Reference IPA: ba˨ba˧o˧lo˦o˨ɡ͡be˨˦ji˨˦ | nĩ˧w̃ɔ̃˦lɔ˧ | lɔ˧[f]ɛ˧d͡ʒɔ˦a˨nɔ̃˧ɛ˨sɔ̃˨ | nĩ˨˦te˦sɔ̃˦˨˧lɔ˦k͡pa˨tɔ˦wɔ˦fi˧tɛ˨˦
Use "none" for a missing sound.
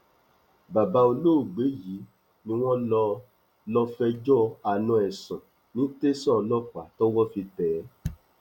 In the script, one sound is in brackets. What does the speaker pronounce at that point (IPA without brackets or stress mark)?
f